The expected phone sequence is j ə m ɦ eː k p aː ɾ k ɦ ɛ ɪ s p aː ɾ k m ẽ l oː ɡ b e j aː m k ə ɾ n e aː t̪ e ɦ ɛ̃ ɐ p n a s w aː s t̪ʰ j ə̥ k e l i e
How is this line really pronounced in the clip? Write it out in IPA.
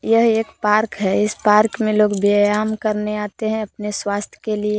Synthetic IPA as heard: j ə ɦ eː k p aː ɾ k ɦ ɛ ɪ s p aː ɾ k m ẽ l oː ɡ b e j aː m k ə ɾ n e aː t̪ e ɦ ɛ̃ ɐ p n e s w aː s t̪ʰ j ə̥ k e l i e